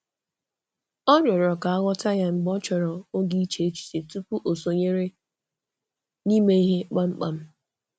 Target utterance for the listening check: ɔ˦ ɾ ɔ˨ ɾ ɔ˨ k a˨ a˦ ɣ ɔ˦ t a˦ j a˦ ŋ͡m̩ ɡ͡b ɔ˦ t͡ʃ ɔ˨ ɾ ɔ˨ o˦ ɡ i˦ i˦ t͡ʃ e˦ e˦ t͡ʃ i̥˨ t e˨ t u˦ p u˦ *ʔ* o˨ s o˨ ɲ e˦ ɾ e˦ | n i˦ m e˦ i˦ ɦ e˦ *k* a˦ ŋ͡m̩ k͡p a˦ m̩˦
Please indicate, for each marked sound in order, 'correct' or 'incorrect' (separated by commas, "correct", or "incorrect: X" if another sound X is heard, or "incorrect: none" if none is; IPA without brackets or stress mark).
correct, incorrect: k͡p